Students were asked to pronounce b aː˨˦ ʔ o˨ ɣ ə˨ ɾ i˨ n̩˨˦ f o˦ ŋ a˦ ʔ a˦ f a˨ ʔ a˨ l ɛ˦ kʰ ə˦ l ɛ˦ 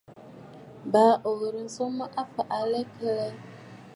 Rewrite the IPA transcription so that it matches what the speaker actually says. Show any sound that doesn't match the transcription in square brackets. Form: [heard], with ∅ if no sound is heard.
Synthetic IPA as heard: b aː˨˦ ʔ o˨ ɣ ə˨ ɾ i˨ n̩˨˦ [s] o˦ [m] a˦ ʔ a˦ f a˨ ʔ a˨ l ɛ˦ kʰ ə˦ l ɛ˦